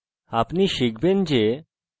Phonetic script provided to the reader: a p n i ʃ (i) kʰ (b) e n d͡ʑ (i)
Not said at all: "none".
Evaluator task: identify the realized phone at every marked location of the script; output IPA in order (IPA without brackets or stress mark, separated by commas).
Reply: i, b, e